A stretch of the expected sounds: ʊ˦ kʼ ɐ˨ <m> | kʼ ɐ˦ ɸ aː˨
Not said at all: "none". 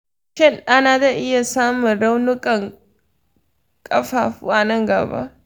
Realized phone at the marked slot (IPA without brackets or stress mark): ŋ